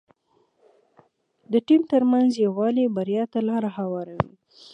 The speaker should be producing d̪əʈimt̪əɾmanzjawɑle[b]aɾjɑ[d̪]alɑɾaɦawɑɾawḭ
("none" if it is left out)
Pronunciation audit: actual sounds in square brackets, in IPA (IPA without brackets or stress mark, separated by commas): b, t̪